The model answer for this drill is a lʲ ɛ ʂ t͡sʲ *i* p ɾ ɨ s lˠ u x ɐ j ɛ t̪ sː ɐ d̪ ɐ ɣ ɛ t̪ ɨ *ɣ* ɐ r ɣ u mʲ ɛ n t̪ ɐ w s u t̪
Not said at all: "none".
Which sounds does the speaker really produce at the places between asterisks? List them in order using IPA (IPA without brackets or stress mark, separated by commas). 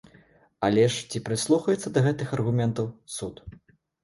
i, x